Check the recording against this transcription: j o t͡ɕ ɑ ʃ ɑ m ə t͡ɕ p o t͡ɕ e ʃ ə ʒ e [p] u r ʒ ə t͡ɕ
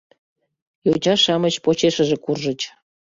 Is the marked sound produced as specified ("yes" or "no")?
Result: no